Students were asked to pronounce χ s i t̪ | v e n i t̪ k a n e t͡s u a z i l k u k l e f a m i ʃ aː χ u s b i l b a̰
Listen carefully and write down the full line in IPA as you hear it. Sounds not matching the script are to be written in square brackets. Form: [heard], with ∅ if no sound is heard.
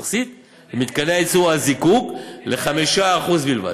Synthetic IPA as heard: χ s i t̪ | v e [m] i t̪ k a n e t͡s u a z i [∅] k u k l e [χ] a m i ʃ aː χ u [z] b i l [v] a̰